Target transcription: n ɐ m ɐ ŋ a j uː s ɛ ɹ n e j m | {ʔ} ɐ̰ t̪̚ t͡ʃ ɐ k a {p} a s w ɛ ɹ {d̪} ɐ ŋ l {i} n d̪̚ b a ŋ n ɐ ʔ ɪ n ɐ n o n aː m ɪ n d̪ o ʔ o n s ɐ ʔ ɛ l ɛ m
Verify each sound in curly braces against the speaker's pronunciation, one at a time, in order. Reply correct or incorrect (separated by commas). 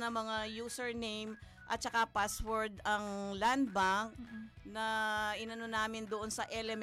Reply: correct, correct, correct, incorrect